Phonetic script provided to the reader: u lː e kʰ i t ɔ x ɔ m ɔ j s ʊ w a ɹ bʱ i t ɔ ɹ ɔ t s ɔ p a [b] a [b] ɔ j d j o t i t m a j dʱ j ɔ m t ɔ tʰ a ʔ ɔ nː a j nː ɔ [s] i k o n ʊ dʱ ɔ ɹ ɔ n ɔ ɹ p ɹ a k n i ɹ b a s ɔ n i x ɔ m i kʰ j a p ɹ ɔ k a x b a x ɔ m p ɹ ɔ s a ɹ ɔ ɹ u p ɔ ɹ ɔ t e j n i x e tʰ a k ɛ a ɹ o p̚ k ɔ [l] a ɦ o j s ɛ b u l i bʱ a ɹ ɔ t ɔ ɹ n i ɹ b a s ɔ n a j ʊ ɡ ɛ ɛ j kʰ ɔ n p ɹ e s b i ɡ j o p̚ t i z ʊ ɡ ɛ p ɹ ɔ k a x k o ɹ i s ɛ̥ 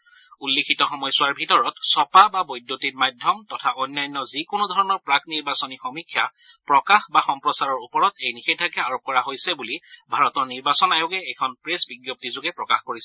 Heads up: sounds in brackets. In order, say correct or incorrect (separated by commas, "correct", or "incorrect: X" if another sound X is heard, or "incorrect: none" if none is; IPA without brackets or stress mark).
correct, correct, incorrect: z, incorrect: ɹ